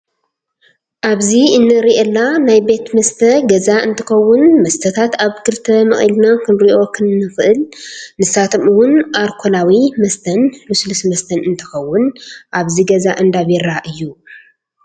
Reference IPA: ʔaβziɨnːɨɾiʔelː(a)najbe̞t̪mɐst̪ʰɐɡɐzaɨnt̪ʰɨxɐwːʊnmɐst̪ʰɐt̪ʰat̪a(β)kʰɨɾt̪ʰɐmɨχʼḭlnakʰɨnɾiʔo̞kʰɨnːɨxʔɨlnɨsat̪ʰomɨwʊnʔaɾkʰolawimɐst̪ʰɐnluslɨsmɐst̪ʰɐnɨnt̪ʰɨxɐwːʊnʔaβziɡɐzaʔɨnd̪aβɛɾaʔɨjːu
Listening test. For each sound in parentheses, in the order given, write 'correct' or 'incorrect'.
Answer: correct, correct

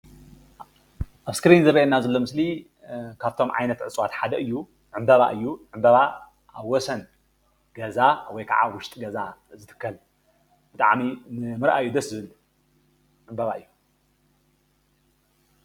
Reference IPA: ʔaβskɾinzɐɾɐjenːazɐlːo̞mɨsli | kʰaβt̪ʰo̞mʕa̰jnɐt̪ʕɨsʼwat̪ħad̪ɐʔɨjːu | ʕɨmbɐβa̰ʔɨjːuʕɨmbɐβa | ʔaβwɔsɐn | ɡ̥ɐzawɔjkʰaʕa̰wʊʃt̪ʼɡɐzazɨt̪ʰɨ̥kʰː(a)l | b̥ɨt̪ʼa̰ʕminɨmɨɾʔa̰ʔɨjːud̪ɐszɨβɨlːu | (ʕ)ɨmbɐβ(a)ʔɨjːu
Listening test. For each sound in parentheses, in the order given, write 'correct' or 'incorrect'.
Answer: incorrect, correct, correct

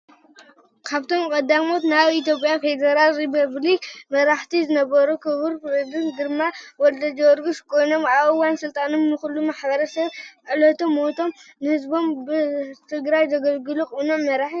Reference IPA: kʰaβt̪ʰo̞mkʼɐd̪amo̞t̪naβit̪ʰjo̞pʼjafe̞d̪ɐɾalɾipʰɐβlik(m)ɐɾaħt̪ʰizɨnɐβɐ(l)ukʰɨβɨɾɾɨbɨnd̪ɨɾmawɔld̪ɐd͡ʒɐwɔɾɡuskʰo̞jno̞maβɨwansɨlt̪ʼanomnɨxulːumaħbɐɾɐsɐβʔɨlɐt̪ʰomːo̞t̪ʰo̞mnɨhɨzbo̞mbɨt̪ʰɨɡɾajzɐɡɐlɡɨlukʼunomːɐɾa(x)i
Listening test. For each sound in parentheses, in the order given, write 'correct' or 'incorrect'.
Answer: correct, incorrect, incorrect

